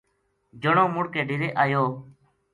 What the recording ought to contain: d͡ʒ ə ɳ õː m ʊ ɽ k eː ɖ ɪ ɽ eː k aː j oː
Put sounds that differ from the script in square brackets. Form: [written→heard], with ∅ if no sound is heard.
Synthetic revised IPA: d͡ʒ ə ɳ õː m ʊ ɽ k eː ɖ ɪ [ɽ→ɾ] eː [k→ʔ] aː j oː